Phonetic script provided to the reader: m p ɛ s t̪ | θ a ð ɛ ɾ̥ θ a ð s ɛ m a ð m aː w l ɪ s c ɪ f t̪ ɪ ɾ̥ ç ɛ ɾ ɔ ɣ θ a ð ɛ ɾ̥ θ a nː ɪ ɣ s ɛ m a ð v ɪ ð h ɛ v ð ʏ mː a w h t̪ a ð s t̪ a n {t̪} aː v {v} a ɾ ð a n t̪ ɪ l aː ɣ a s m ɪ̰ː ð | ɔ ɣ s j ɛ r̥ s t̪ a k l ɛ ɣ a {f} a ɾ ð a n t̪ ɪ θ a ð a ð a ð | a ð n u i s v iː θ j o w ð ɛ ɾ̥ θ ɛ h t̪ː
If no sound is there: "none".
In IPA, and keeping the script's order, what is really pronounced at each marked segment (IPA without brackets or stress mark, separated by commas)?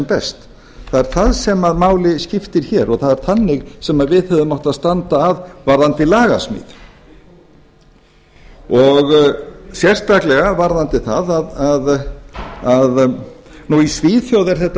t̪, v, v